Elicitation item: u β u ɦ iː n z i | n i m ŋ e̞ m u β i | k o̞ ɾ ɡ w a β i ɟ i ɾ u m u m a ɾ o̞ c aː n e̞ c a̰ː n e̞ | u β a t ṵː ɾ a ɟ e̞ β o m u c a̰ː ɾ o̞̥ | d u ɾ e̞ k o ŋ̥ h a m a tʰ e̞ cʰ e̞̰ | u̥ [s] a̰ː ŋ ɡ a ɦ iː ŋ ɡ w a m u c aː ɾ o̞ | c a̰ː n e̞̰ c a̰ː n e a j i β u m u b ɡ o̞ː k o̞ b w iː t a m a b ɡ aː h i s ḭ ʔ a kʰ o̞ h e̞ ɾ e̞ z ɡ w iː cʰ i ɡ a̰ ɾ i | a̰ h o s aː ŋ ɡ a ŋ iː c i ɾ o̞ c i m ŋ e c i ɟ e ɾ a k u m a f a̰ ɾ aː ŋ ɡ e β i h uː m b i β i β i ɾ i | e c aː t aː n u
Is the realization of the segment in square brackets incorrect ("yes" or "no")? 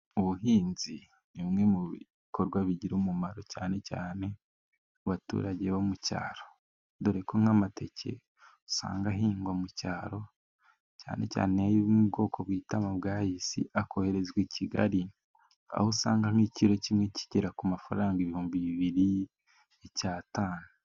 no